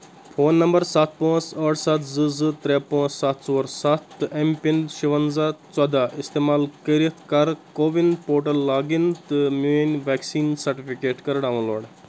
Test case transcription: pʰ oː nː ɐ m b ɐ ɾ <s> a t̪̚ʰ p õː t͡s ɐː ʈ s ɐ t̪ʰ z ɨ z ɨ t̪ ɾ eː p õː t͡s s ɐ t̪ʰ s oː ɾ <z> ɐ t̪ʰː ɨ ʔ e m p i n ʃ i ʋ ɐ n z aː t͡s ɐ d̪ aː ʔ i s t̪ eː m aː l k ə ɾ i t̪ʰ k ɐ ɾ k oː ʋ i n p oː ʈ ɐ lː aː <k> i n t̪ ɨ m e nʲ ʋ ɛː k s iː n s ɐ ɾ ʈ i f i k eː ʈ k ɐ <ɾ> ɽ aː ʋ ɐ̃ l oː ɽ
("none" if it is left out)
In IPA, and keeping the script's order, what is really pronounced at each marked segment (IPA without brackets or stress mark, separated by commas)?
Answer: s, s, ɡ, ɾ